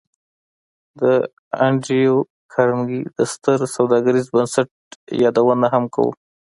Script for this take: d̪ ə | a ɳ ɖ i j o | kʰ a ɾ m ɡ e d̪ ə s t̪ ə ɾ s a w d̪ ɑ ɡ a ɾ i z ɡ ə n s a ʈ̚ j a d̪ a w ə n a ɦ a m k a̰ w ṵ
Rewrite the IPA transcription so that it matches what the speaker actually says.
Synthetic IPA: d̪ ə | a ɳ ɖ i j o | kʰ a ɾ m ɡ i d̪ ə s t̪ ə ɾ s a w d̪ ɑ ɡ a ɾ i z b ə n s a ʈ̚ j ɑ d̪ a w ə n a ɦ a m k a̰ w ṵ